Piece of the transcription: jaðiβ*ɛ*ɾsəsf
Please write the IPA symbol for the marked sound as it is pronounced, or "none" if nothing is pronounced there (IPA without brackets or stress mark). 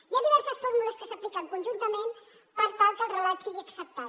ɛ